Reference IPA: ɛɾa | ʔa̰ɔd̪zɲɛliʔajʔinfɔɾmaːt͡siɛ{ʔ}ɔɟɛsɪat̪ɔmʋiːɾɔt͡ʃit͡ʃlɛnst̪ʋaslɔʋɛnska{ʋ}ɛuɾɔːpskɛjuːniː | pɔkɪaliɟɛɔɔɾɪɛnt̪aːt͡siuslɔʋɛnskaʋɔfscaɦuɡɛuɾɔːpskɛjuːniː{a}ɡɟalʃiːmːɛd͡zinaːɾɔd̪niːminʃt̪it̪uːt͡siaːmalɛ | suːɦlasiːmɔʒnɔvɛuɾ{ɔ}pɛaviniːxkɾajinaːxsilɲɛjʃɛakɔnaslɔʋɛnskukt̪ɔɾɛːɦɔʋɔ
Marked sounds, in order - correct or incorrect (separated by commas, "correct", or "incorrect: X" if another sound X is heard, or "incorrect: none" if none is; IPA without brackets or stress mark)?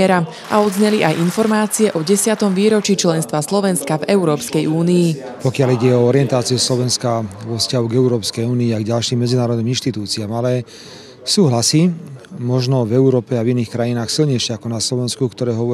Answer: correct, incorrect: v, correct, incorrect: ɔː